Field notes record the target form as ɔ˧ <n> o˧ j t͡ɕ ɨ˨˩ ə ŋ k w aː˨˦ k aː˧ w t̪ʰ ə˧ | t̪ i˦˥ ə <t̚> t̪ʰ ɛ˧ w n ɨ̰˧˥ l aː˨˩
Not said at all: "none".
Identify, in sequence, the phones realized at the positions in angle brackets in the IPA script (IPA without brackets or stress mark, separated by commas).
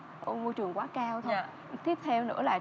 m, p̚